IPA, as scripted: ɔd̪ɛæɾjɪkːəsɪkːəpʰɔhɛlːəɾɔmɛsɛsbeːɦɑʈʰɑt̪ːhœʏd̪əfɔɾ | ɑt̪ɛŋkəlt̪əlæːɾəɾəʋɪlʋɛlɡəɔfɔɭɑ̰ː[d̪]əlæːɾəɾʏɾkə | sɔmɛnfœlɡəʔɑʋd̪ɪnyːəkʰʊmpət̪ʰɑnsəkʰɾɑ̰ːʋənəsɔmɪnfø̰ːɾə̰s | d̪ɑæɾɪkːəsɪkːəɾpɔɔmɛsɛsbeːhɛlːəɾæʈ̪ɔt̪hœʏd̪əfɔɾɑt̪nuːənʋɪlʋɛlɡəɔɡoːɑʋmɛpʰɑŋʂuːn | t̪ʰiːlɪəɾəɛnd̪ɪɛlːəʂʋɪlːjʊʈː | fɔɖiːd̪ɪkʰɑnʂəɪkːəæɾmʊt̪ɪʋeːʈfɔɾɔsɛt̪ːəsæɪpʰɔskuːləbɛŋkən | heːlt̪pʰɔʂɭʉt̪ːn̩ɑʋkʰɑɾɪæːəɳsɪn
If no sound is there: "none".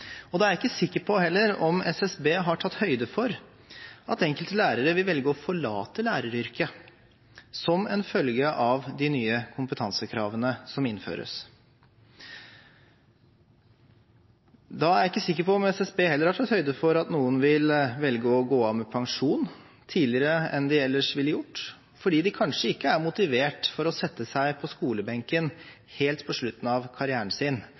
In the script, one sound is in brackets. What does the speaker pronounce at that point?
t̪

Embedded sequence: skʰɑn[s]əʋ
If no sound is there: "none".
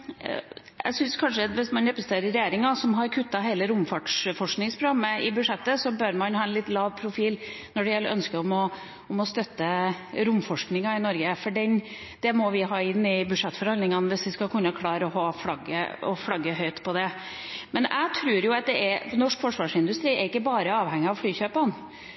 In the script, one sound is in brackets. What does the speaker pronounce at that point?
ʂ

